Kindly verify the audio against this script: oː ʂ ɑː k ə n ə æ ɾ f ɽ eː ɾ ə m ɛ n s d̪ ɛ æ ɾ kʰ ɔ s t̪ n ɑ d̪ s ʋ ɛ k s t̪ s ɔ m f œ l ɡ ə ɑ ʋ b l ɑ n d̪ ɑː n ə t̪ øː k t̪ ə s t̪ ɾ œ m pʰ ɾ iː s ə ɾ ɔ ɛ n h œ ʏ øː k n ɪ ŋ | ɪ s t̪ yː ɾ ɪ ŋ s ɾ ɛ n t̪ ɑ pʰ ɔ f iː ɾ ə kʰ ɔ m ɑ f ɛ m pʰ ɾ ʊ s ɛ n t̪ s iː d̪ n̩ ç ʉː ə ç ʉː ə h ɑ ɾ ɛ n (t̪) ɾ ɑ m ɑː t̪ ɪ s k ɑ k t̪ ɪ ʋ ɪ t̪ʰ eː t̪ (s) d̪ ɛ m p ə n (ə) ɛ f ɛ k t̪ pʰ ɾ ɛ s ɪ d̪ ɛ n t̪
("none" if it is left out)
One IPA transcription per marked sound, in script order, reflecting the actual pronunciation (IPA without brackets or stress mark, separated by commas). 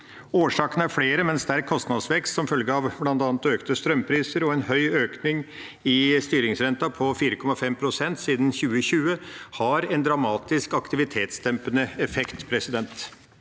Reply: d̪, s, ə